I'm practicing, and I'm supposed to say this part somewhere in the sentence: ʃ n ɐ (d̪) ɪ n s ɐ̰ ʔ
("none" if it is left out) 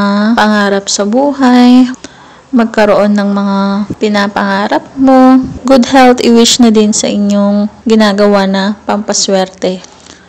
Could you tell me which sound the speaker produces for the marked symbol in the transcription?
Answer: d̪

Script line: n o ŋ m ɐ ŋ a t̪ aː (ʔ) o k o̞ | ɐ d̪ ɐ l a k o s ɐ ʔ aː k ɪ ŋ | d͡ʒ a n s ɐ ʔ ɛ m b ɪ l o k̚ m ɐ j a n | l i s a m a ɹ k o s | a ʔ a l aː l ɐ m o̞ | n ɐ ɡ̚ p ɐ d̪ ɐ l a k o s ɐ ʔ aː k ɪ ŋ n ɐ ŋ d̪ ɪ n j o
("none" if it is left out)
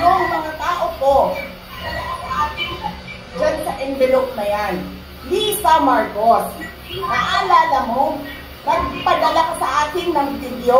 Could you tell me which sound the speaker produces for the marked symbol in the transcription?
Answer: ʔ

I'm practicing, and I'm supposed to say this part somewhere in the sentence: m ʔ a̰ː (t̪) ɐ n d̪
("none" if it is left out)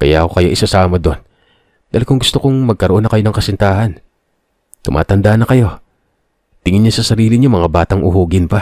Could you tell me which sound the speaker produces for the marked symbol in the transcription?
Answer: t̪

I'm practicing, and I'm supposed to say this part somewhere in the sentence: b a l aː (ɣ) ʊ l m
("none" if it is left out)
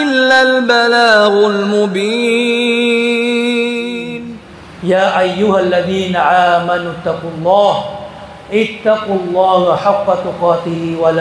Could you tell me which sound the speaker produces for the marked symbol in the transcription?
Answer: ɣ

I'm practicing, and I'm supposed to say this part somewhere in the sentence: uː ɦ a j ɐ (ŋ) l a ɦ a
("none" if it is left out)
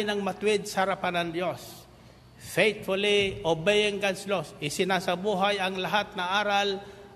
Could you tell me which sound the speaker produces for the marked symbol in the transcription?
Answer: ŋ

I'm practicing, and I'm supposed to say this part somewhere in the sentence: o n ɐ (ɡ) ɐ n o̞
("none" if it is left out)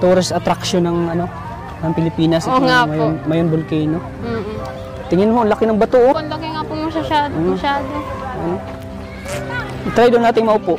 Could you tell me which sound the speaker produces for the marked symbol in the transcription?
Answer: ŋ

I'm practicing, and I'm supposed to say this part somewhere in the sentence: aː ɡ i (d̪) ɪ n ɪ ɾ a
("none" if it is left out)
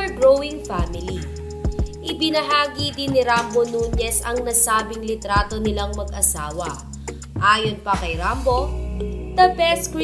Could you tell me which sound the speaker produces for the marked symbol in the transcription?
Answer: d̪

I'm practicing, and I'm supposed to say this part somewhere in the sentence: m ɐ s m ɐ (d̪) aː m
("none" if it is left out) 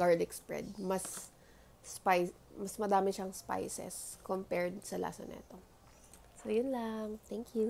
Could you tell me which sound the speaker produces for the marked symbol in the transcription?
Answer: d̪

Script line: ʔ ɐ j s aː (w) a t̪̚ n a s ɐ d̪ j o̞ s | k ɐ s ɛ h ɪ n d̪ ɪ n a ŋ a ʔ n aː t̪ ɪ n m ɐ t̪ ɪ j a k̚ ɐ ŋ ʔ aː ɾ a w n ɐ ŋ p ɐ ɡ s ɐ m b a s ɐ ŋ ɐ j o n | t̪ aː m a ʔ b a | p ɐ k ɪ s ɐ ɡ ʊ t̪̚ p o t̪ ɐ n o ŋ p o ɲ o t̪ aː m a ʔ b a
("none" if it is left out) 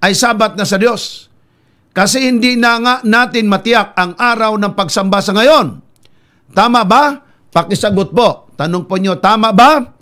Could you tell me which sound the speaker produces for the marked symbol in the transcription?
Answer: b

